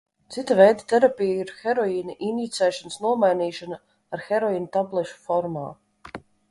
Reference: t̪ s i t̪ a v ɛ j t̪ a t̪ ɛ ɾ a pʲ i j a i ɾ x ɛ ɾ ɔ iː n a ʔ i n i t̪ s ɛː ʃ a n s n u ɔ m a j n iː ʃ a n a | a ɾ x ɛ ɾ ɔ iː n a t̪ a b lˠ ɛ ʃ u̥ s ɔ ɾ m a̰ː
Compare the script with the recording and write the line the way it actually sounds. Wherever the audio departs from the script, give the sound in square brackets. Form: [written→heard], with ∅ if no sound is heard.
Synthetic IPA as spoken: t̪ s i t̪ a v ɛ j [t̪→d̪] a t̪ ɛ ɾ a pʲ i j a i ɾ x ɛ ɾ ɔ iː n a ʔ i n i t̪ s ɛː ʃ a n s n u ɔ m a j n iː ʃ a n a | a ɾ x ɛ ɾ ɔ iː n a t̪ a b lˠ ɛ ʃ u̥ [s→f] ɔ ɾ m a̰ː